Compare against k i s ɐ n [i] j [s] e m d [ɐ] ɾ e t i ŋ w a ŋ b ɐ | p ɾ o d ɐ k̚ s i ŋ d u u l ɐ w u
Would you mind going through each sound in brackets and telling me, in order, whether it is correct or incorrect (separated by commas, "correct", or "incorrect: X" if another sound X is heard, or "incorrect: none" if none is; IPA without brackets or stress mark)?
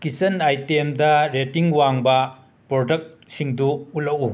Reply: incorrect: a, incorrect: t, correct